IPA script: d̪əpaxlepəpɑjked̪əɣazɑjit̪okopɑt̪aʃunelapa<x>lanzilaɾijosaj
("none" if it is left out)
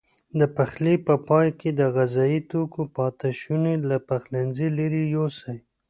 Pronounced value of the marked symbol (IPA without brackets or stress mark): x